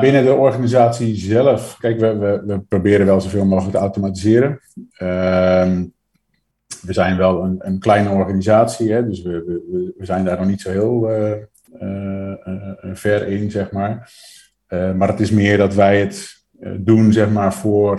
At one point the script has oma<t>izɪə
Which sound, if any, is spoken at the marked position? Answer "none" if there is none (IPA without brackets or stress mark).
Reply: t